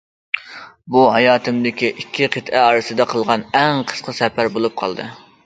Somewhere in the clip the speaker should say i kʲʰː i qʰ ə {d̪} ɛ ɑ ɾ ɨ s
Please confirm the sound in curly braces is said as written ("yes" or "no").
no